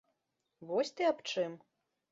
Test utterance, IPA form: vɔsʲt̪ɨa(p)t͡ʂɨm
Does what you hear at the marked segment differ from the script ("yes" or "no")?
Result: no